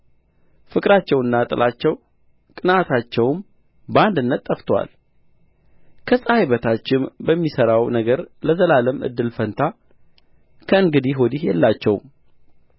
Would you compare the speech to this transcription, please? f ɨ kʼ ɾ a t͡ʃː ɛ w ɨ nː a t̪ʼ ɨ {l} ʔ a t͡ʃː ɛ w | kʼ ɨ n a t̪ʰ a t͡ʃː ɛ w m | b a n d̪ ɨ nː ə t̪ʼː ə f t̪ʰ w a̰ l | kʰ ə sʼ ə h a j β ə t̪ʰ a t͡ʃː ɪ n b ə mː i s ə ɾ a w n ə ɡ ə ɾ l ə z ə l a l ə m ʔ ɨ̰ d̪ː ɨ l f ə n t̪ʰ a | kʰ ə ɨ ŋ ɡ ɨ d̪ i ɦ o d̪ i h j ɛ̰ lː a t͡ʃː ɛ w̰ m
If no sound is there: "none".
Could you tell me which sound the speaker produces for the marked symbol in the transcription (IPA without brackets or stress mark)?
l